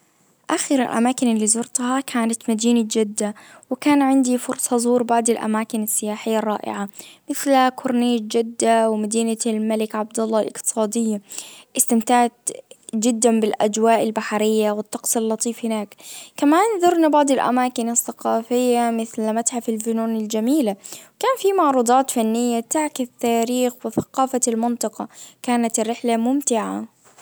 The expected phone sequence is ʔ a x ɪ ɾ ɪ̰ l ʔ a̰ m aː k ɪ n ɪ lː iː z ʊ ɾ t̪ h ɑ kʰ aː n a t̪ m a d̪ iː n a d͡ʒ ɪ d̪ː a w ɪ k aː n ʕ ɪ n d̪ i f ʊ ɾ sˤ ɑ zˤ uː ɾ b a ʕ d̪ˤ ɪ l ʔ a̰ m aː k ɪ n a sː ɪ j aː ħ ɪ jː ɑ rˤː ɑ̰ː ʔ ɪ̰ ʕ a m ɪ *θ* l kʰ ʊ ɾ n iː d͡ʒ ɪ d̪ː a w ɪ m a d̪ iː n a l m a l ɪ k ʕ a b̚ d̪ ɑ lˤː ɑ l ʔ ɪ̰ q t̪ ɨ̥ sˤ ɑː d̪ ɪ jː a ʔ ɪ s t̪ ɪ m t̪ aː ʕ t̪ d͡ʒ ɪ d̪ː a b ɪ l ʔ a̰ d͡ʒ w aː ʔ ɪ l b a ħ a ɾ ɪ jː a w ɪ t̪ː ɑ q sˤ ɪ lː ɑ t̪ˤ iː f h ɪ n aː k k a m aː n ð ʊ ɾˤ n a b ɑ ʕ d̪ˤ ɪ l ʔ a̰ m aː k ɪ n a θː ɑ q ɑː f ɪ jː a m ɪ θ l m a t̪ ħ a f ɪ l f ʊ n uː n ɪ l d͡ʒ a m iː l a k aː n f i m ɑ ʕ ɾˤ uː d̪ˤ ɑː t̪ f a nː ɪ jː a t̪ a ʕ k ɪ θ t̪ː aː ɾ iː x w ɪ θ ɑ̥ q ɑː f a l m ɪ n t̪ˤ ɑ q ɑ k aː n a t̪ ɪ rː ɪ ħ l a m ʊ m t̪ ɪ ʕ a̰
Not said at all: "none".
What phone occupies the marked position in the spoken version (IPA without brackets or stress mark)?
θ